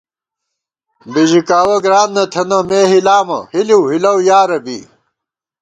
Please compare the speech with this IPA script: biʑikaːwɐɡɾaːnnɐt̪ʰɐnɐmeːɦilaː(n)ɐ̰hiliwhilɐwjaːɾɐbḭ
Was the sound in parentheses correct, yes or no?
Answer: no